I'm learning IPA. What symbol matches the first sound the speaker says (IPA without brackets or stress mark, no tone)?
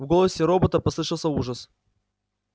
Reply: v